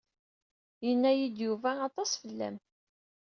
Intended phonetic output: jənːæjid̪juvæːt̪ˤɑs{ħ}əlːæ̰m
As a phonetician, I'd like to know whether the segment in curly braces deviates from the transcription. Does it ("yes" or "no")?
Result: yes